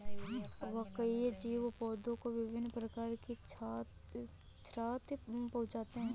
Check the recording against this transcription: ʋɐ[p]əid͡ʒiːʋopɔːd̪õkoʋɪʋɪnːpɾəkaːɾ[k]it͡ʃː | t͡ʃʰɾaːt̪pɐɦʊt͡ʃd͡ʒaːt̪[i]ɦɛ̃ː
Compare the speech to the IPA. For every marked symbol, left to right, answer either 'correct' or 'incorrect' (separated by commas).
incorrect, correct, incorrect